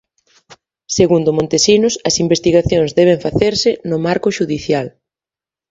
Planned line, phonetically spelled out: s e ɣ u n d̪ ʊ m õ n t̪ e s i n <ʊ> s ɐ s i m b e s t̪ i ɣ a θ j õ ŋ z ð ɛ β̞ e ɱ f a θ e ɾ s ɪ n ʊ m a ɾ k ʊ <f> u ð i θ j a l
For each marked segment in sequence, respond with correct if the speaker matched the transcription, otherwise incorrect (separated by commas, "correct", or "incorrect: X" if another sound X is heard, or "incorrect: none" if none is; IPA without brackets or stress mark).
correct, incorrect: ʃ